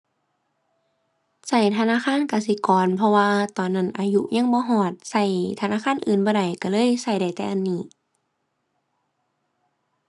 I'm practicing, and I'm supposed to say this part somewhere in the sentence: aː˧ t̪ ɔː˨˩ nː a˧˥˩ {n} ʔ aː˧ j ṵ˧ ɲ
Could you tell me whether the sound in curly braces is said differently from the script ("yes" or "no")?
no